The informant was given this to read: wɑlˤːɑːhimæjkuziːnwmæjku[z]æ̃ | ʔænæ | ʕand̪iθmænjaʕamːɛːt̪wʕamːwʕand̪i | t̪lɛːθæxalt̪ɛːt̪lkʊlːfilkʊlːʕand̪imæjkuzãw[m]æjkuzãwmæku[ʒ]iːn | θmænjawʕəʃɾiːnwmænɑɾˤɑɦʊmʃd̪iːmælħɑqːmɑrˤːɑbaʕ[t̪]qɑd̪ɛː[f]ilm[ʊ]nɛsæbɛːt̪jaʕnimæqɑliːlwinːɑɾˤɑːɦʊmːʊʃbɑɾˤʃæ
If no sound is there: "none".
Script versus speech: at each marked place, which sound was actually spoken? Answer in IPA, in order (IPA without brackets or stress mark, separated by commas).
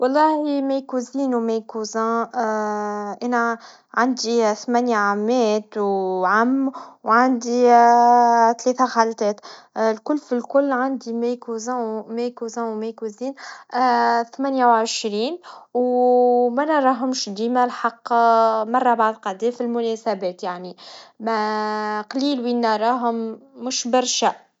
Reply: z, m, z, d̪, f, ʊ